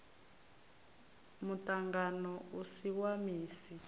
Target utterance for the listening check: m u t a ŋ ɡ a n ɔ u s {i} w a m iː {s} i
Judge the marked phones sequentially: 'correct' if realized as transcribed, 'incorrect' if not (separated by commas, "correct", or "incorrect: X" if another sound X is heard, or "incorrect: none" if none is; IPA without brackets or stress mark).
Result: correct, correct